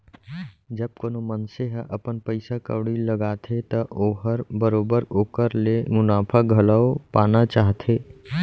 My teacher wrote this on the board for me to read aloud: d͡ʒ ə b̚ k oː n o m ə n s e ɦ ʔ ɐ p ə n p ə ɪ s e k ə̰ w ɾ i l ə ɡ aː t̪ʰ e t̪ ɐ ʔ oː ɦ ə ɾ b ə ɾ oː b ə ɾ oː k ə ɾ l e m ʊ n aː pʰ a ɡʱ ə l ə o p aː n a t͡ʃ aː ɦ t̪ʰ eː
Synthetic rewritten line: d͡ʒ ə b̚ k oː n o m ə n s e ɦ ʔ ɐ p ə n p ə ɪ s a k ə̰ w ɽ i l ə ɡ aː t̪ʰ e t̪ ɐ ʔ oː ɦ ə ɾ b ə ɾ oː b ə ɾ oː k ə ɾ l e m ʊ n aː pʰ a ɡʱ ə l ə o p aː n a t͡ʃ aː ɦ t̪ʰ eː